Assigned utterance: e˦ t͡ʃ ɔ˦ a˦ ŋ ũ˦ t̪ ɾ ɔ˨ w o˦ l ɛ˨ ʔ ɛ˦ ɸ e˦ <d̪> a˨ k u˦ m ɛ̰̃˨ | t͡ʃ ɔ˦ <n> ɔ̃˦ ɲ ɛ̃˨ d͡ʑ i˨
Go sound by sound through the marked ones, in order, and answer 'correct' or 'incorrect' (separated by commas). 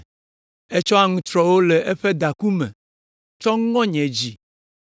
correct, incorrect